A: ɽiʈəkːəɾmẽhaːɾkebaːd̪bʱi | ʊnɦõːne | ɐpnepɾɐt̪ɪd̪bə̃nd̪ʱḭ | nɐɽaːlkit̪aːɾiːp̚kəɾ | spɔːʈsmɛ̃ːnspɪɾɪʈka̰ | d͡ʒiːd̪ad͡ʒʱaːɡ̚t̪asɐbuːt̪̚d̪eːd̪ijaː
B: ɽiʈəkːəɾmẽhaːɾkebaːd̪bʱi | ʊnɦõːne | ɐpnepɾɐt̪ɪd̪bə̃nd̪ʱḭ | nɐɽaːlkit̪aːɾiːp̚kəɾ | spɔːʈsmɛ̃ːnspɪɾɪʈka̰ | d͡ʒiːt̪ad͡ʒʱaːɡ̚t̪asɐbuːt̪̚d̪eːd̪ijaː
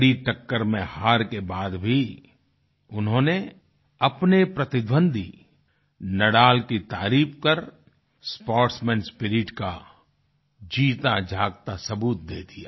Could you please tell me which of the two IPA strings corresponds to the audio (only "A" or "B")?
B